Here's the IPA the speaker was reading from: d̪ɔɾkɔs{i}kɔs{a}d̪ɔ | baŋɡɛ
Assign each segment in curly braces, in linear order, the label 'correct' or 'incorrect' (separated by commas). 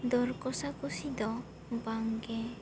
incorrect, incorrect